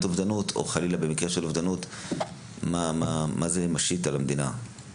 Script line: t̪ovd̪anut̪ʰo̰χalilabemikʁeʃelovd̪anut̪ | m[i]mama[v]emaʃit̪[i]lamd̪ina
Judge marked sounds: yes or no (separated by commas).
no, no, no